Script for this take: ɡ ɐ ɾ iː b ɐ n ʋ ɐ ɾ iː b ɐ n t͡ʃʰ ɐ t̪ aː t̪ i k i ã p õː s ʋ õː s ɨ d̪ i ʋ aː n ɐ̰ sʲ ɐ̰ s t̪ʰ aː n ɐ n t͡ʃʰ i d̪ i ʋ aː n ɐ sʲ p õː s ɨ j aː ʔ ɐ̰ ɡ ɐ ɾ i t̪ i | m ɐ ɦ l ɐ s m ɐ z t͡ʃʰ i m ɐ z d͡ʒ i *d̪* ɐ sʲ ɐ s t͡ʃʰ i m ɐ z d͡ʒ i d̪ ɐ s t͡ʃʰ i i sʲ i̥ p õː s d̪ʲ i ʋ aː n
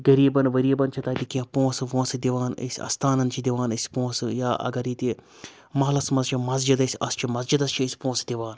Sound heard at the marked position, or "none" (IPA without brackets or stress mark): d̪